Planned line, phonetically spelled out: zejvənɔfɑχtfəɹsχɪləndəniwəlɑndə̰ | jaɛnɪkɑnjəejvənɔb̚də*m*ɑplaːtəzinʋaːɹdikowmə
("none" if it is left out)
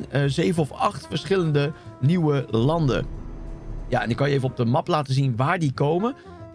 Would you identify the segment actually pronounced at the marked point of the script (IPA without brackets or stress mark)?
m